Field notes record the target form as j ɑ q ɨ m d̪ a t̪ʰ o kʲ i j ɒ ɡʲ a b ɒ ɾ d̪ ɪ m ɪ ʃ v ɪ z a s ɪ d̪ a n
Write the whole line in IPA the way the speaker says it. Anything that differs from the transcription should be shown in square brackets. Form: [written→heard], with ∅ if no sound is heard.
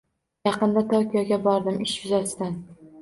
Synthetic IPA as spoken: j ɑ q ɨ [m→n] d̪ a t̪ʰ o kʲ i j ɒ ɡʲ a b ɒ ɾ d̪ ɪ m ɪ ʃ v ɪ z a s ɪ d̪ a n